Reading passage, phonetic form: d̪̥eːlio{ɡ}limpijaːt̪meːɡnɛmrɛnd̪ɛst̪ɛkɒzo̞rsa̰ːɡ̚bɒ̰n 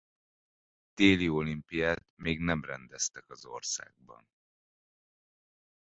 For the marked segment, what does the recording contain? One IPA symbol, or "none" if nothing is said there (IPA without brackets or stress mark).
none